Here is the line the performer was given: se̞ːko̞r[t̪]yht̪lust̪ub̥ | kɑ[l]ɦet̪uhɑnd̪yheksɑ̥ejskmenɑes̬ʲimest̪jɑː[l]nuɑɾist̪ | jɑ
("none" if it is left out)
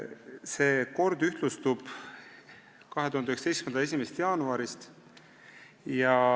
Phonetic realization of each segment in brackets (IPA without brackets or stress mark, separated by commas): d̪, none, none